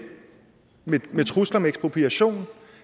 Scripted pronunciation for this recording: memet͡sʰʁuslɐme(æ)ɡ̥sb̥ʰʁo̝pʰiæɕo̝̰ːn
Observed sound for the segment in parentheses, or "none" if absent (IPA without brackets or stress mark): e